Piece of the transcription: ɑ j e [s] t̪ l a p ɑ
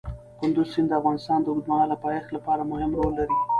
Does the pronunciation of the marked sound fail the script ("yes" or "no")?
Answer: yes